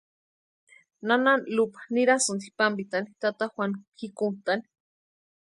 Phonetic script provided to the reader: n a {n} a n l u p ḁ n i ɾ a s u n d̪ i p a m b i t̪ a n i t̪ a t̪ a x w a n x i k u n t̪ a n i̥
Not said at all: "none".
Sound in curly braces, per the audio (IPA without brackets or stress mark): n